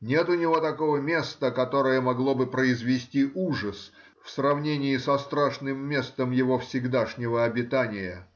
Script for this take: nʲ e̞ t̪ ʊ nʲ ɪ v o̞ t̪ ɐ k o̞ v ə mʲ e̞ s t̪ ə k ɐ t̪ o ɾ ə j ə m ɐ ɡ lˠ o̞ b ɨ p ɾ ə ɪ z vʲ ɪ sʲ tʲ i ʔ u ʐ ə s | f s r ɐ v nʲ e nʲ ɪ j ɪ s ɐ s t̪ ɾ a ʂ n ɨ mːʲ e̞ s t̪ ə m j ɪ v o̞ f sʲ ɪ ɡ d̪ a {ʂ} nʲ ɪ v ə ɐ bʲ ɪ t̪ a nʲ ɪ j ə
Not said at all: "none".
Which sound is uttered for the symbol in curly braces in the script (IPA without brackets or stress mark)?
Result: ʂ